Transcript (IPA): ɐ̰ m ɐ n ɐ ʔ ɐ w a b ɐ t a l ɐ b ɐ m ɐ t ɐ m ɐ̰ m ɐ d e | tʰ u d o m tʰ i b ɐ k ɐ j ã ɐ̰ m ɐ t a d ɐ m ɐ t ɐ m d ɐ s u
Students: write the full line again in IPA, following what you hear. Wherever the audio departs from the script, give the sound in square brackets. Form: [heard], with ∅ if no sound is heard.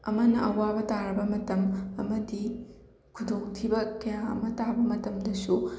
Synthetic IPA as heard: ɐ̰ m ɐ n ɐ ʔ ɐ w a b ɐ t a [ɾ] ɐ b ɐ m ɐ t ɐ m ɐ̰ m ɐ d [i] | [kʰ] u d o [ŋ] tʰ i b ɐ k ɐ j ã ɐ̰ m ɐ t a [b] ɐ m ɐ t ɐ m d ɐ s u